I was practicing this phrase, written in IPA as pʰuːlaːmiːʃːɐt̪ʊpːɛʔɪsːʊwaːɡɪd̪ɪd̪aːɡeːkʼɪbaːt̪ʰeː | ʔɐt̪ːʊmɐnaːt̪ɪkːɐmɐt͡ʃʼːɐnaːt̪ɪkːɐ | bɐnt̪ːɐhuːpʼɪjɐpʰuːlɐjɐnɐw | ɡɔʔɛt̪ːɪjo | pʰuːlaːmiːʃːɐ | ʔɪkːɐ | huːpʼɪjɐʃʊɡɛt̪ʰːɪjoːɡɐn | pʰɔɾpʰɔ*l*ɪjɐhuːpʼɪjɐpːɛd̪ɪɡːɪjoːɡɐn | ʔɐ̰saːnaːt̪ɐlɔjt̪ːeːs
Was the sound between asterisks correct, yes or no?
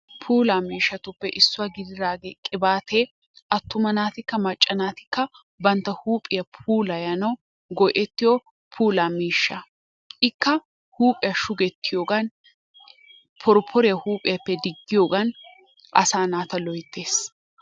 no